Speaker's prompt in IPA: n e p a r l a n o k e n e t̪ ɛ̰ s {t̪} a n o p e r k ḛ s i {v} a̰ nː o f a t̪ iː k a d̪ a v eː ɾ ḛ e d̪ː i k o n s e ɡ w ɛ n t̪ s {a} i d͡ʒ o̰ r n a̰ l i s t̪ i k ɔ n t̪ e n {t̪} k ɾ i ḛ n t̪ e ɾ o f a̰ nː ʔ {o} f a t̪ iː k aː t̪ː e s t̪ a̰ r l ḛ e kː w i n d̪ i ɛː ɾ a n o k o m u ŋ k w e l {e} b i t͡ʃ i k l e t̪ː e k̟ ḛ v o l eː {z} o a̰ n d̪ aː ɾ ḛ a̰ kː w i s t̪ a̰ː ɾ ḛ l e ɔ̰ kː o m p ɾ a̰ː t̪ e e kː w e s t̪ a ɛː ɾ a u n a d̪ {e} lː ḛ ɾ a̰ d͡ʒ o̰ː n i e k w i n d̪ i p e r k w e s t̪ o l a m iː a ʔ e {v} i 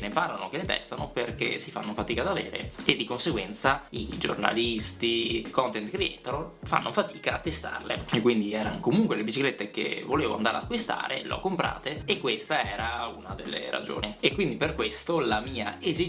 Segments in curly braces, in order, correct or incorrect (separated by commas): correct, incorrect, correct, correct, correct, correct, incorrect, correct, incorrect